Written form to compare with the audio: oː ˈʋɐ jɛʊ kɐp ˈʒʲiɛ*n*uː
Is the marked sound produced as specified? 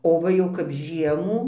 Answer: no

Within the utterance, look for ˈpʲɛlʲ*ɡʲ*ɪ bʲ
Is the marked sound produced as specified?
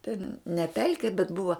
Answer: no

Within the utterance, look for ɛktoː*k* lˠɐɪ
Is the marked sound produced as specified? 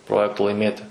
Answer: no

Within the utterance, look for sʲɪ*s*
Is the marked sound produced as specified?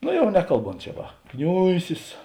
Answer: yes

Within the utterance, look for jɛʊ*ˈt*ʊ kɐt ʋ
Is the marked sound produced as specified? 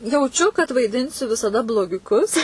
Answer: no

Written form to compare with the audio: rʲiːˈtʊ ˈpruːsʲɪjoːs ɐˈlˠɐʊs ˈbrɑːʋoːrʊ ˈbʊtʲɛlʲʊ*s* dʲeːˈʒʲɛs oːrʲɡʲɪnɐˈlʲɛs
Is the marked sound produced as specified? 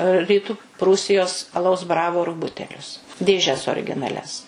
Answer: yes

